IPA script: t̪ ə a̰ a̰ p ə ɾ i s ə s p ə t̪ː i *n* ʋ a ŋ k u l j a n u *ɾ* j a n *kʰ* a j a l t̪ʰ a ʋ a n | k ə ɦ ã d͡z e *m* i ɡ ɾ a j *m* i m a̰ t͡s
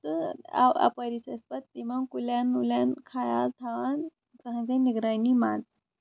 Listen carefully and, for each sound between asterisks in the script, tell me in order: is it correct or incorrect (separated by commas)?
incorrect, incorrect, correct, incorrect, incorrect